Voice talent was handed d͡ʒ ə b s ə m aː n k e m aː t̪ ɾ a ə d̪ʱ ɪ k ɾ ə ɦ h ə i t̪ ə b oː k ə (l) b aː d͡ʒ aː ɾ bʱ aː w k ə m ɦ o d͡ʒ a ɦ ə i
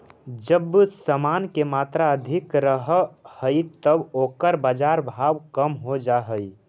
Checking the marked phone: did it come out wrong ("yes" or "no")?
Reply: yes